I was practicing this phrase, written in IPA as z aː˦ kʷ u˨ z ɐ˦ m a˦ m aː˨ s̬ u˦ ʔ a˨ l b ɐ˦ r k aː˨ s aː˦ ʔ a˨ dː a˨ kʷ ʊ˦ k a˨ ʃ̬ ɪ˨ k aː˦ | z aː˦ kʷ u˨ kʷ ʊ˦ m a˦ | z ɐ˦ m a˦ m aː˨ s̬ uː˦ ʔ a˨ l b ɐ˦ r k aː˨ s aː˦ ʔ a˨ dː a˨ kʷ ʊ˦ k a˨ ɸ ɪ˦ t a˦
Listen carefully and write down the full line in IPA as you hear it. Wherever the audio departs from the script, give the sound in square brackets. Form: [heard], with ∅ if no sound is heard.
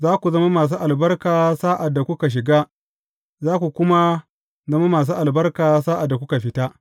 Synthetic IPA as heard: z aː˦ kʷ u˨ z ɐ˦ m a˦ m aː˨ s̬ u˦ ʔ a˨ l b ɐ˦ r k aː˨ s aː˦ ʔ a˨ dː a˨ kʷ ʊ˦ k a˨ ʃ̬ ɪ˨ [ɡ] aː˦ | z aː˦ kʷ u˨ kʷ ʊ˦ m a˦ | z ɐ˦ m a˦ m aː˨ s̬ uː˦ ʔ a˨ l b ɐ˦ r k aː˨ s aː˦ ʔ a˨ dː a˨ kʷ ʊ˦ k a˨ ɸ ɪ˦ t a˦